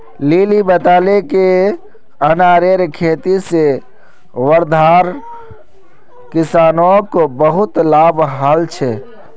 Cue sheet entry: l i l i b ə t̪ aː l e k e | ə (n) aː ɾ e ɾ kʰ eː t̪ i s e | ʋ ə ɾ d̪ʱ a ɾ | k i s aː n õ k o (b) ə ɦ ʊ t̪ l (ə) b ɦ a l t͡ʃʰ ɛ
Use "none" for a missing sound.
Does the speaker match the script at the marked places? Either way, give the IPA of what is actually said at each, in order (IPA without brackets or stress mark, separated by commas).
n, b, a